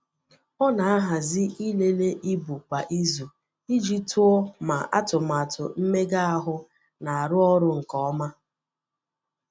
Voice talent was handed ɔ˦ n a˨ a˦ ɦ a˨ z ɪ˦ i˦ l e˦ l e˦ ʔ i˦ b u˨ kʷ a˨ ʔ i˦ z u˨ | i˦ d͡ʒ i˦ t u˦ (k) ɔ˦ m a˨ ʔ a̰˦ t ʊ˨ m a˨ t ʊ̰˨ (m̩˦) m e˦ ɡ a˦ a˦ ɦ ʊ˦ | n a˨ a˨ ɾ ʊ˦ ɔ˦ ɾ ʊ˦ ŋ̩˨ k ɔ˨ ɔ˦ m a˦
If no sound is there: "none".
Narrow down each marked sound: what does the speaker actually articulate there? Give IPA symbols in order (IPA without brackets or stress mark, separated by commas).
none, m̩˦